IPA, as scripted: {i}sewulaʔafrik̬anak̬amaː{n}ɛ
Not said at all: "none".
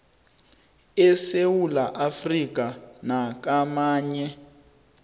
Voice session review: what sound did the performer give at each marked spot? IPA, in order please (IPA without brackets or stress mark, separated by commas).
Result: ɛ, ɲ